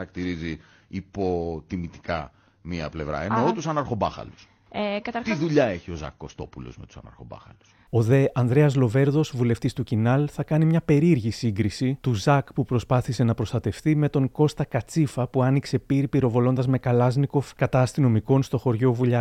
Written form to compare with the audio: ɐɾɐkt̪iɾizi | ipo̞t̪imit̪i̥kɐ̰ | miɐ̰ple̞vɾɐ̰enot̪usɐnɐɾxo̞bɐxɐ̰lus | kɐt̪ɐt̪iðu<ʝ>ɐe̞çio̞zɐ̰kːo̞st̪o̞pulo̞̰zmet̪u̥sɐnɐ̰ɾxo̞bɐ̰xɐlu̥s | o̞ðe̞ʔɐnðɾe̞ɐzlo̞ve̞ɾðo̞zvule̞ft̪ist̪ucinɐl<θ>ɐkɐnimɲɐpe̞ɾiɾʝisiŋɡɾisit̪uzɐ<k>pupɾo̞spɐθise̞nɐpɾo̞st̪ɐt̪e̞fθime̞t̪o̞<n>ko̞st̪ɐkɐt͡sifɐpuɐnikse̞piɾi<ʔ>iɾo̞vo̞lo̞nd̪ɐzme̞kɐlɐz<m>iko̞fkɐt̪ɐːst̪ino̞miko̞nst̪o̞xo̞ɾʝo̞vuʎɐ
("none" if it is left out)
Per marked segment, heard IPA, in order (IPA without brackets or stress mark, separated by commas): ʎ, θ, k, ŋ, p, n